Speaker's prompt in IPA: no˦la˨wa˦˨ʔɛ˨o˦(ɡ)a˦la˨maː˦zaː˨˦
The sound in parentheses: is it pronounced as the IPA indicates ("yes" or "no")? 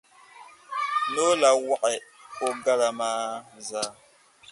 yes